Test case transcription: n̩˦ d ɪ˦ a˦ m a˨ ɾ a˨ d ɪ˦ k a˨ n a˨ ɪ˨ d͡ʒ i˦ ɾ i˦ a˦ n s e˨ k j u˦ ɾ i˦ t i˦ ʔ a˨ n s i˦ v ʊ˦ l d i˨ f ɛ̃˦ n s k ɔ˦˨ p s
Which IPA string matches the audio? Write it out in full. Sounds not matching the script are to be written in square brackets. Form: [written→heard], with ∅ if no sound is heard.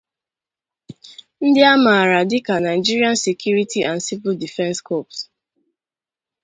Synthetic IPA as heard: n̩˦ d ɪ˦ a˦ m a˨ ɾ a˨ d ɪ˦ k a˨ n a˨ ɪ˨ d͡ʒ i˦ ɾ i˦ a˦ n s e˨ k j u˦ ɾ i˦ t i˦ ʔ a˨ n s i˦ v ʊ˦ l d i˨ f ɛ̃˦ n s k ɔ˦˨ p s

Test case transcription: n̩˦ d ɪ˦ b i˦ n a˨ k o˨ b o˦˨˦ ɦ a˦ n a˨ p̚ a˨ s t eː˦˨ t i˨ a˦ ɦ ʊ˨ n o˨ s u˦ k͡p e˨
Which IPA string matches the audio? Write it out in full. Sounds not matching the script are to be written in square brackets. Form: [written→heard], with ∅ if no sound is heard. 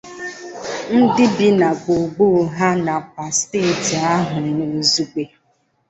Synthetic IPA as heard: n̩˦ d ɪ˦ b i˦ n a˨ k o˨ [b→ɡ͡b] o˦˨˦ ɦ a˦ n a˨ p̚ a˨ s t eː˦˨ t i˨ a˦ ɦ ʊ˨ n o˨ [s→z] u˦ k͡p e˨

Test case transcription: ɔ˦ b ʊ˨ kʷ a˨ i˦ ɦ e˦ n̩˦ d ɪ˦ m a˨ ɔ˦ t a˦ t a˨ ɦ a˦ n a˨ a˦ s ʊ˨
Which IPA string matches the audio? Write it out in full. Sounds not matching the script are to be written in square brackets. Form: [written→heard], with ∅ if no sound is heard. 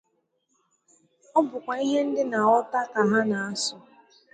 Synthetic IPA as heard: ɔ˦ b ʊ˨ kʷ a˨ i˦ ɦ e˦ n̩˦ d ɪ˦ [m→n] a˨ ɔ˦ t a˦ [t→k] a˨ ɦ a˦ n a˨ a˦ s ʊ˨

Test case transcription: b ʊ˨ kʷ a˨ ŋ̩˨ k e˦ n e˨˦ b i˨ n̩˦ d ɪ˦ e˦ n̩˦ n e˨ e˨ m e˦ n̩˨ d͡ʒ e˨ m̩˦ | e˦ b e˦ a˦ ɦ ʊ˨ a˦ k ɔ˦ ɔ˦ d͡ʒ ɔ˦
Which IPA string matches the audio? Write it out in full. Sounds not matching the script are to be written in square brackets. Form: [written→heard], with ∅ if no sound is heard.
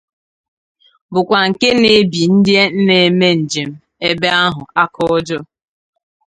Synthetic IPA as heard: b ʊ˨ kʷ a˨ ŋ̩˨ k e˦ n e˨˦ b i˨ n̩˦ d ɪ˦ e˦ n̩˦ n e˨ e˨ m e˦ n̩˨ d͡ʒ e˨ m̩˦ | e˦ b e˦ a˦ ɦ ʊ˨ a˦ k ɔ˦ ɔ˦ d͡ʒ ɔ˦

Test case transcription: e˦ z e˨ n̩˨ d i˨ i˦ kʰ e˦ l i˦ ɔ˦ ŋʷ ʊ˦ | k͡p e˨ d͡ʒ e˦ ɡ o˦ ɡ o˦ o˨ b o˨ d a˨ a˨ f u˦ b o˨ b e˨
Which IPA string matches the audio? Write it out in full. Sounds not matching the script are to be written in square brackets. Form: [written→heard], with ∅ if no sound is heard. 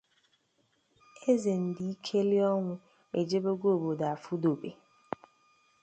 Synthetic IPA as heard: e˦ z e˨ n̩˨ d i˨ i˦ kʰ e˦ l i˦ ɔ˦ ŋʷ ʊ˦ | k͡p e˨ d͡ʒ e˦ [ɡ→b] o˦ ɡ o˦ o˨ b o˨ d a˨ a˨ f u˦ [b→d] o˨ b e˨

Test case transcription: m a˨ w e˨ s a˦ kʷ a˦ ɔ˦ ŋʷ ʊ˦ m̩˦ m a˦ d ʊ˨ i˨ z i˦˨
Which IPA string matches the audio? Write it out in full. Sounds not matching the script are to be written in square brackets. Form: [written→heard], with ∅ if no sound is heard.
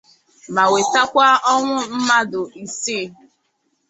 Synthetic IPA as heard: m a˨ w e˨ [s→t] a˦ kʷ a˦ ɔ˦ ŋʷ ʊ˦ m̩˦ m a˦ d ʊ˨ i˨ [z→s] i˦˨

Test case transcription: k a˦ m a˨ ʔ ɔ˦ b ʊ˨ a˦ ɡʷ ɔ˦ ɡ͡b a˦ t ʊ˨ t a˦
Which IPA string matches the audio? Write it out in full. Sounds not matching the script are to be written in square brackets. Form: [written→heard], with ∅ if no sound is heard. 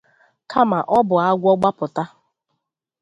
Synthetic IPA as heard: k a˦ m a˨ ʔ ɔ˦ b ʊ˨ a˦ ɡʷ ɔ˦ ɡ͡b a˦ [t→p] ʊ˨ t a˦

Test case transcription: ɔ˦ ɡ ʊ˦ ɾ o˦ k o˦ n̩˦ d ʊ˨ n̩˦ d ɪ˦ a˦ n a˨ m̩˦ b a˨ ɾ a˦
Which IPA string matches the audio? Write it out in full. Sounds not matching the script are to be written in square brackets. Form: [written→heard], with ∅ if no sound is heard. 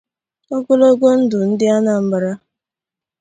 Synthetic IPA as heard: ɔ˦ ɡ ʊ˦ [ɾ→l] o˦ [k→ɡ] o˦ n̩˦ d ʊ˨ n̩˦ d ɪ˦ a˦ n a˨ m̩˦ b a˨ ɾ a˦

